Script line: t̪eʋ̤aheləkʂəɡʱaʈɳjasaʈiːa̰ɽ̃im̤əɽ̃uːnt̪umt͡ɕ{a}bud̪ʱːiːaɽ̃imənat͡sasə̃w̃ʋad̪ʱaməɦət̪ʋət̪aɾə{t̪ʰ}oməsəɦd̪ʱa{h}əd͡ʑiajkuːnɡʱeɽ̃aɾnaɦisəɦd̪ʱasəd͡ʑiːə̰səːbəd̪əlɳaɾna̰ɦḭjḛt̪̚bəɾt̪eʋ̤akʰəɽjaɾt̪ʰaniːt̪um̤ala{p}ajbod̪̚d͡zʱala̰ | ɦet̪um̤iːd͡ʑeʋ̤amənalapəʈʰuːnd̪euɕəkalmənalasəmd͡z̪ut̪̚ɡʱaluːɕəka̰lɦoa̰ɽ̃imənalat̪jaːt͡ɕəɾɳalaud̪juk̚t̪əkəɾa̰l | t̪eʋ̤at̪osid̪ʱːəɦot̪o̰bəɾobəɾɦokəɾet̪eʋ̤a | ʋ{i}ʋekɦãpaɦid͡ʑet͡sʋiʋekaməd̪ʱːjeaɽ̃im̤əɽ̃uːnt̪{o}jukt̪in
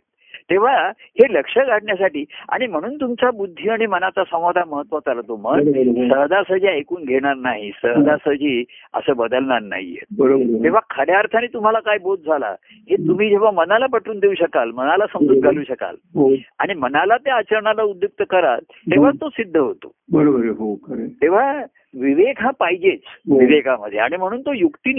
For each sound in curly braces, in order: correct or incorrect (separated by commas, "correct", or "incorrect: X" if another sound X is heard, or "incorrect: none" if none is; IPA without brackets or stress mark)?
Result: correct, incorrect: t̪, incorrect: s, incorrect: k, correct, correct